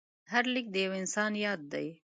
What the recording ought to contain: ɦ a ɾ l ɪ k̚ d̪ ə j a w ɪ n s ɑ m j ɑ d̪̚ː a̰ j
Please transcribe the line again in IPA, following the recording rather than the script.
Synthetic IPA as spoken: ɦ a ɾ l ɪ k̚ d̪ ə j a w ɪ n s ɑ n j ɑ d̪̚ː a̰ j

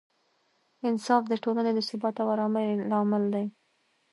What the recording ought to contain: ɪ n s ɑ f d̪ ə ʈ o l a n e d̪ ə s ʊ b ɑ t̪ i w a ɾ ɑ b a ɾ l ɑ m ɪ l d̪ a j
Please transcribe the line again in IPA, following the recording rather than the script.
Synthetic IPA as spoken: ɪ n s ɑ f d̪ ə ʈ o l a n e d̪ ə s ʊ b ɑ t̪ a w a ɾ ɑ m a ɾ l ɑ m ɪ l d̪ a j

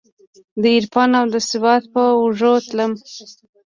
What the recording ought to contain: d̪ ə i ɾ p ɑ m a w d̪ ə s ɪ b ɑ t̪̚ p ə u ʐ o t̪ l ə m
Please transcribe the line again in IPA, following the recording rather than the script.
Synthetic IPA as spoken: d̪ ə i ɾ p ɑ n a w d̪ ə s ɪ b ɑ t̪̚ p ə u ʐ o t̪ l ə m

